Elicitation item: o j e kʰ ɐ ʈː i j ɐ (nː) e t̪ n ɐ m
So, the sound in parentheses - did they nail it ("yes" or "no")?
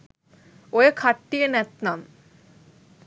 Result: no